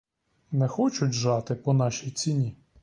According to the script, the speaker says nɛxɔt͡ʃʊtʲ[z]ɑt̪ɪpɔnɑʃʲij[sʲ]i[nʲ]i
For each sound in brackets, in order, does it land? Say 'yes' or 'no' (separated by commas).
no, no, yes